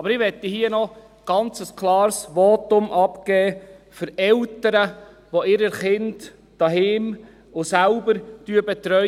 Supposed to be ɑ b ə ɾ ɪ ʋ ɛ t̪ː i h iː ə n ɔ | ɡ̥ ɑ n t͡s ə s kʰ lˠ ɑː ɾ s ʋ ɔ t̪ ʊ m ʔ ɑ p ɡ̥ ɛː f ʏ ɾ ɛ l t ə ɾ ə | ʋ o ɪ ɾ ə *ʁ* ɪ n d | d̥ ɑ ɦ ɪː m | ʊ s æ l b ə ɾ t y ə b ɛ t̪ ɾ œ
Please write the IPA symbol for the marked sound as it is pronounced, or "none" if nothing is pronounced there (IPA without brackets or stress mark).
χ